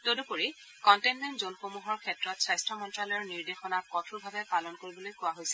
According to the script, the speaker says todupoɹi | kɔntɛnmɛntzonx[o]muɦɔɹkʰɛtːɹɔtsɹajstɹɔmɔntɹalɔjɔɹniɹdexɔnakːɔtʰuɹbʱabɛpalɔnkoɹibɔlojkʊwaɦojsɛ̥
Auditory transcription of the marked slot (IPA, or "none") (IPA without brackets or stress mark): o